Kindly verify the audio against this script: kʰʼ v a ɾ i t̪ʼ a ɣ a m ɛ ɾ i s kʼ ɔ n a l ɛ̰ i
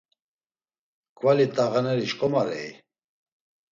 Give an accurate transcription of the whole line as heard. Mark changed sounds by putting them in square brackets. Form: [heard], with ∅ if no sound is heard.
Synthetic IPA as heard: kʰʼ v a [l] i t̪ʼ a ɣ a [n] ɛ ɾ i [ʃ] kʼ ɔ [m] a [ɾ] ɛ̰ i